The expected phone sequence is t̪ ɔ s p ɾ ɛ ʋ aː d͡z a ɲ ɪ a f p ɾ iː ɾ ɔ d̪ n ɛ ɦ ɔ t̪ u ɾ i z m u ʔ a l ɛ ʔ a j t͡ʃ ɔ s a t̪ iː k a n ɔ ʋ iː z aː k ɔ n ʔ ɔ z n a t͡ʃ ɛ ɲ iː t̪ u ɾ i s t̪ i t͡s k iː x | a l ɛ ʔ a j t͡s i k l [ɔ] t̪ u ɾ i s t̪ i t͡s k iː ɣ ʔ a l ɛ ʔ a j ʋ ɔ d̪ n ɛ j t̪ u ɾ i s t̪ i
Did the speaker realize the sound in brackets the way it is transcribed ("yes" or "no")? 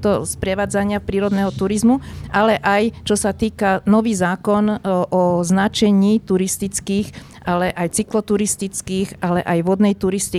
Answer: yes